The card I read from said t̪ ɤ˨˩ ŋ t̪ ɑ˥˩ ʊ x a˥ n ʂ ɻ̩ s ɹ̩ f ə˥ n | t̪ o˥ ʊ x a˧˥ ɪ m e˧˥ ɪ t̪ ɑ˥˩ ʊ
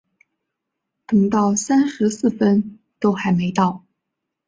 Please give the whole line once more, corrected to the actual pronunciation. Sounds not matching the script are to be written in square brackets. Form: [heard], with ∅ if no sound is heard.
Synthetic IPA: t̪ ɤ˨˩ ŋ t̪ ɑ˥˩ ʊ [s] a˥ n ʂ ɻ̩ s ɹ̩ f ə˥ n | t̪ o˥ ʊ x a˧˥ ɪ m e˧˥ ɪ t̪ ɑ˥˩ ʊ